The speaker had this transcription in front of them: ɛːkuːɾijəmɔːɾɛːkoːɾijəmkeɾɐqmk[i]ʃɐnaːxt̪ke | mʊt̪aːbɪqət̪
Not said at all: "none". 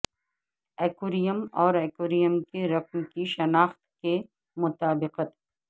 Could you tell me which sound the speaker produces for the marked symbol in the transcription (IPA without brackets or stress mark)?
i